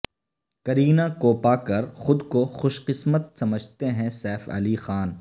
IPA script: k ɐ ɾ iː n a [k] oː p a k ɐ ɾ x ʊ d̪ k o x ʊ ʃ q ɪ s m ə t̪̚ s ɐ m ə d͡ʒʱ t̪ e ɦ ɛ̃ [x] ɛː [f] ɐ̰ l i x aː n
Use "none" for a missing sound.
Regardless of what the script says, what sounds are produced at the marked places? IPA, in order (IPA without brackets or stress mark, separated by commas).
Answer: k, s, f